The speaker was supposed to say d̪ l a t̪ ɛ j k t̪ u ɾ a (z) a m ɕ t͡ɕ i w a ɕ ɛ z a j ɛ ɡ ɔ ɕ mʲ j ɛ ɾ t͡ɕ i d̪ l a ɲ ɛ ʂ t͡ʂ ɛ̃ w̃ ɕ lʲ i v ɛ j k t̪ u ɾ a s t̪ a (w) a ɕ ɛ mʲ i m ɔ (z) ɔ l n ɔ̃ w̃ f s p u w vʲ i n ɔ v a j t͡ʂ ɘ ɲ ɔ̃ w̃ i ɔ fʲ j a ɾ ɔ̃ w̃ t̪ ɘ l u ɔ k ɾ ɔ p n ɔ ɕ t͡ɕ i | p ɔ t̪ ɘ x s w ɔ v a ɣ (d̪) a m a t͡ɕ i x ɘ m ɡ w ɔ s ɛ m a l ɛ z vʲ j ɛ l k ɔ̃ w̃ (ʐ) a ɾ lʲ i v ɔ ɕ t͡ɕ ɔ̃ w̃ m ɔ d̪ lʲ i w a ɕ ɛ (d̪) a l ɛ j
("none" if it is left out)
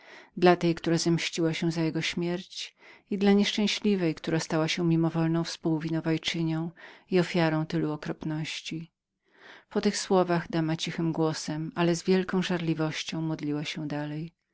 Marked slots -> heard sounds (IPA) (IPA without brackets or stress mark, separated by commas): z, w, v, d̪, ʐ, d̪